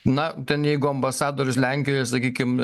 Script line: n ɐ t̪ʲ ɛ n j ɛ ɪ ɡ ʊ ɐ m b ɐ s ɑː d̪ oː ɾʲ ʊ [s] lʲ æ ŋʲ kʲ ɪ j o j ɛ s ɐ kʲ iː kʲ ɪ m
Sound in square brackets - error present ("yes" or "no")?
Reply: no